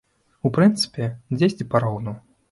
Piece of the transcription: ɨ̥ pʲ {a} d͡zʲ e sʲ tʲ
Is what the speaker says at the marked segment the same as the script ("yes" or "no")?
no